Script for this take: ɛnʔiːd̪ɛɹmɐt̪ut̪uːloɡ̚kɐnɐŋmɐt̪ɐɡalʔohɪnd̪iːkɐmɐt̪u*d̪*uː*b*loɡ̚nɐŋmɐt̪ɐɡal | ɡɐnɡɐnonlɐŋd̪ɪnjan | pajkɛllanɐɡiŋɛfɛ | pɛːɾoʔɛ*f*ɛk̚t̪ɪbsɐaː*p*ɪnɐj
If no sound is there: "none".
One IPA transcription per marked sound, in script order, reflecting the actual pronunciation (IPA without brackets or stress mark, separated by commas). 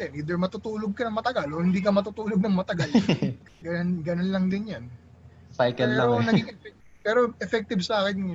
t̪, none, f, k